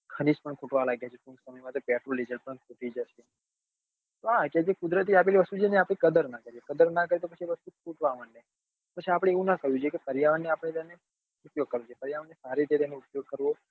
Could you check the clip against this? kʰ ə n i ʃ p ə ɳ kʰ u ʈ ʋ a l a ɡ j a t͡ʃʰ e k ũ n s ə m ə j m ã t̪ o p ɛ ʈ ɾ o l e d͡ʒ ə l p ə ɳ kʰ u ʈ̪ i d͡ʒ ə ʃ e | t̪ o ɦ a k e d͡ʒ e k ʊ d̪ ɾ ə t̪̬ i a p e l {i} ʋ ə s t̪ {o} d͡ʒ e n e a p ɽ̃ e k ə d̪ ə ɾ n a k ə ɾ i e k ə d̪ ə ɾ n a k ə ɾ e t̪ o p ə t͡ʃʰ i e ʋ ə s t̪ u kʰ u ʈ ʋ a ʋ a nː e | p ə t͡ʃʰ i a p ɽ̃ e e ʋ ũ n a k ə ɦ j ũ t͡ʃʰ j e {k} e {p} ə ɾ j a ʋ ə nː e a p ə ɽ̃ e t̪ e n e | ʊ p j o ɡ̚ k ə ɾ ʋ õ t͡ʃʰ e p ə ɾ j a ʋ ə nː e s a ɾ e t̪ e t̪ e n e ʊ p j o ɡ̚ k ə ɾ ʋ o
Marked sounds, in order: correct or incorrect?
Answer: correct, incorrect, correct, correct

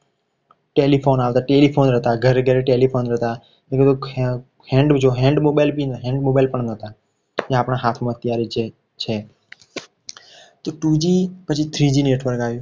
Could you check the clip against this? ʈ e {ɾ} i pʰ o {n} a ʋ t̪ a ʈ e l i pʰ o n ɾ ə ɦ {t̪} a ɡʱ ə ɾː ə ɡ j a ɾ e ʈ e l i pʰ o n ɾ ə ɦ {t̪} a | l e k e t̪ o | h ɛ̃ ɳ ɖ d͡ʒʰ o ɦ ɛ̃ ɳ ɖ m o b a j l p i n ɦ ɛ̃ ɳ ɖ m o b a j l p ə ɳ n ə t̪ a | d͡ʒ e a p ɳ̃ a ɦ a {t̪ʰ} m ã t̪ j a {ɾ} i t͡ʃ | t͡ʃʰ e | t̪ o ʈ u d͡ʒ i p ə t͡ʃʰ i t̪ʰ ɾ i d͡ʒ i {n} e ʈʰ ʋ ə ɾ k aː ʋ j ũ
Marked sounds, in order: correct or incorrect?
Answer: incorrect, correct, correct, correct, correct, correct, correct

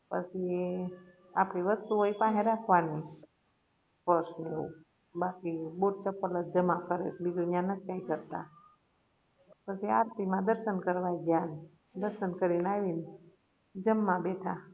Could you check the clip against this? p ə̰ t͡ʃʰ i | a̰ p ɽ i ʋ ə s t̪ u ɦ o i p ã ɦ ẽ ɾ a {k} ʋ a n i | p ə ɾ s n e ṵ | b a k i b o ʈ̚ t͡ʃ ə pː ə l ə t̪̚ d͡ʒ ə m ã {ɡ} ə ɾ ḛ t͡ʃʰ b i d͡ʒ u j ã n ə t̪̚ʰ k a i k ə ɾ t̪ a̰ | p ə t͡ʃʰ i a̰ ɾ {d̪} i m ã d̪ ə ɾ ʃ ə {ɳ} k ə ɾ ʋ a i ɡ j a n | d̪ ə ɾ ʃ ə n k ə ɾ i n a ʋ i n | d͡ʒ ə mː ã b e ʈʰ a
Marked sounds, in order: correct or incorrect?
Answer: incorrect, incorrect, incorrect, incorrect

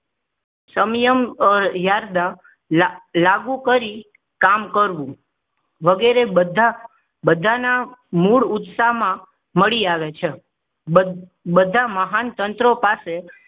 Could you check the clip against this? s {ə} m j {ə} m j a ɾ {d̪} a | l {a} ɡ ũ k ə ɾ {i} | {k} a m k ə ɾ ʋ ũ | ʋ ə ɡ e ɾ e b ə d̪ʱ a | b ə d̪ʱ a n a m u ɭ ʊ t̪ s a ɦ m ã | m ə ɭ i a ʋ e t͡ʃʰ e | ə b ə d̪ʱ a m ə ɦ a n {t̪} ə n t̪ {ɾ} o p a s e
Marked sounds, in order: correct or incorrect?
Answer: correct, correct, correct, correct, correct, correct, correct, correct

